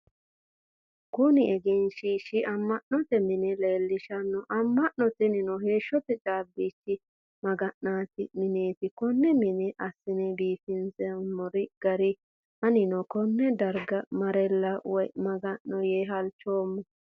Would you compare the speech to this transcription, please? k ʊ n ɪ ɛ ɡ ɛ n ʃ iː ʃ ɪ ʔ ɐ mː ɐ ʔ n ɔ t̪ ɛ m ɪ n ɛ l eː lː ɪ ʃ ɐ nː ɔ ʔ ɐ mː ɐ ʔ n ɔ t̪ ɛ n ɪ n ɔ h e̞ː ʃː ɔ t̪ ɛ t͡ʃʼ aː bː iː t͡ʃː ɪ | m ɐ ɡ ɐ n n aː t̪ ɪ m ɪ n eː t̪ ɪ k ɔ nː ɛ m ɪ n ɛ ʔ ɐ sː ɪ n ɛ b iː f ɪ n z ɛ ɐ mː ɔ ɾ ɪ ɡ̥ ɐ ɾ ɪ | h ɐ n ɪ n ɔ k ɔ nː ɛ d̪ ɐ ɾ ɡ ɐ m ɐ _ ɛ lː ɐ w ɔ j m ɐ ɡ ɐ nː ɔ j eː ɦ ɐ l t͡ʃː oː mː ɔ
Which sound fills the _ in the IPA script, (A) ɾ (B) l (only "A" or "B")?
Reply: A